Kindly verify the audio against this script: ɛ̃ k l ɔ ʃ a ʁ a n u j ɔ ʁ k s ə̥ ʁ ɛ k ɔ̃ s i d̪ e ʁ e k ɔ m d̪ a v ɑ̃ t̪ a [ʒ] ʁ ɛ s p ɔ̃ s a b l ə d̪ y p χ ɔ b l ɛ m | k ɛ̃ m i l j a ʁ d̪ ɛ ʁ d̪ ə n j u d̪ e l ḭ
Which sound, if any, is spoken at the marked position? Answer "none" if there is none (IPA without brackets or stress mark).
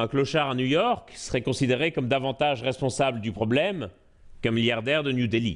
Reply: ʒ